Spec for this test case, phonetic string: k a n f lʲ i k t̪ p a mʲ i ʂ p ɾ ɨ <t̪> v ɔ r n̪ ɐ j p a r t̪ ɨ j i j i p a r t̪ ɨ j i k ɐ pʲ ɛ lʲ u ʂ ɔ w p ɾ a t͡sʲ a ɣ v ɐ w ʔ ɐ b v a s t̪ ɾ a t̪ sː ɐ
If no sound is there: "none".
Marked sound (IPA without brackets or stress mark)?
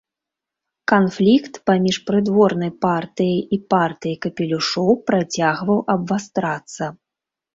d̪